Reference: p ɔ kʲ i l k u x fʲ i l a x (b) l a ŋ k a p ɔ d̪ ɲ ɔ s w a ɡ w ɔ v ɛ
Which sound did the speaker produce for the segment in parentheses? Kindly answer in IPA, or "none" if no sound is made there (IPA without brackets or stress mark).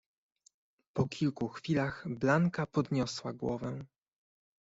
b